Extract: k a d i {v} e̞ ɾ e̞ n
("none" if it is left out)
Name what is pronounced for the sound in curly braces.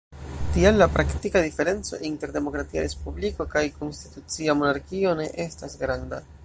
f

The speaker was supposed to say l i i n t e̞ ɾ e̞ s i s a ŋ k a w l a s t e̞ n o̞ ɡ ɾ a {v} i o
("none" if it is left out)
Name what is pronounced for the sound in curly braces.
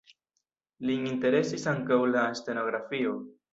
f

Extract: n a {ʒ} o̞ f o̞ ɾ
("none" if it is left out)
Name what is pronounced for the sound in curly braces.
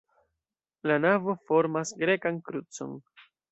v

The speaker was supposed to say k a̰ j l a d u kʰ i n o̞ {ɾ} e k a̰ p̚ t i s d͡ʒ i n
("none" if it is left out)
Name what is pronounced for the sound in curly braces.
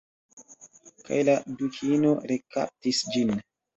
ɾ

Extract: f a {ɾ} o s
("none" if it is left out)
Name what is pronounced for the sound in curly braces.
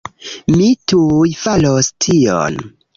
l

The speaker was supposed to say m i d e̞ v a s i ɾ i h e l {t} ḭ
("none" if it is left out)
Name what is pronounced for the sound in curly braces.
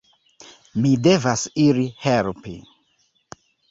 p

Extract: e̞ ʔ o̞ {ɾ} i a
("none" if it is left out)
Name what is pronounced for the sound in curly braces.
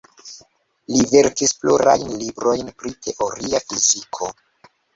ɾ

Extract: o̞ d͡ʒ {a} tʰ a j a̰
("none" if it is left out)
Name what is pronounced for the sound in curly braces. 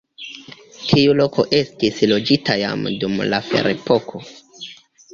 i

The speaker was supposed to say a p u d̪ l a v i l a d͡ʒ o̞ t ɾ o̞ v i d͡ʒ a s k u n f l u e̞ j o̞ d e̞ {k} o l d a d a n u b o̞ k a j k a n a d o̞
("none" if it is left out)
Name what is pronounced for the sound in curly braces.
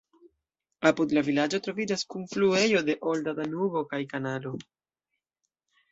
ʔ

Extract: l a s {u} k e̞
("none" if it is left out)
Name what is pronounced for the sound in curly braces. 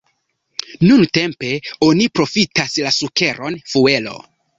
u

